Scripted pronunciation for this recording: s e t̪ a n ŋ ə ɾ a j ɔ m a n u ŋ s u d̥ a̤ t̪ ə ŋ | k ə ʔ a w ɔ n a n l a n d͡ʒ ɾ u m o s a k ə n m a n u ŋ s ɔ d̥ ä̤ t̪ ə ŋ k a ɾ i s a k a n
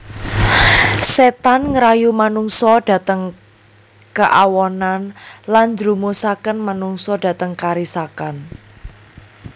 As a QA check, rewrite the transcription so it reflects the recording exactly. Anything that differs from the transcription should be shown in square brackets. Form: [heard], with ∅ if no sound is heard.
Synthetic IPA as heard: s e t̪ a n ŋ ə ɾ a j [u] m a n u ŋ s [ɔ] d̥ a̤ t̪ ə ŋ | k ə ʔ a w ɔ n a n l a n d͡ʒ ɾ u m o s a k ə n m a n u ŋ s ɔ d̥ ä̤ t̪ ə ŋ k a ɾ i s a k a n